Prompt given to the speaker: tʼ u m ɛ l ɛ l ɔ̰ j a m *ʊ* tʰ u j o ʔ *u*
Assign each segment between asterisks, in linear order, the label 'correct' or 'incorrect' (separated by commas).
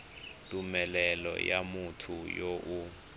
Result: incorrect, correct